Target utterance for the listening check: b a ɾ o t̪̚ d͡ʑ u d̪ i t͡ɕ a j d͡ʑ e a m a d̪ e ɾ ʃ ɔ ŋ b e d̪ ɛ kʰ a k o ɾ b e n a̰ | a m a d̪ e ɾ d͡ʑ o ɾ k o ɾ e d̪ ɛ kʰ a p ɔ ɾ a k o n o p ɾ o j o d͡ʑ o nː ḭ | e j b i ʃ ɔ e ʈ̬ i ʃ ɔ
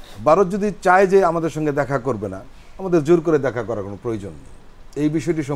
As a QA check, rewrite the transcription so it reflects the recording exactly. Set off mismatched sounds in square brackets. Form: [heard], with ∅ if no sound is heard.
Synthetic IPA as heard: b a ɾ o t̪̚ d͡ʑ [o] d̪ i t͡ɕ a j d͡ʑ e a m a d̪ e ɾ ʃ ɔ ŋ [ɡ] e d̪ ɛ kʰ a k o ɾ b e n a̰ | a m a d̪ e ɾ d͡ʑ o ɾ k o ɾ e d̪ ɛ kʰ a [k] ɔ ɾ a k o n o p ɾ o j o d͡ʑ o nː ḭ | e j b i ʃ ɔ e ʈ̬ i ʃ ɔ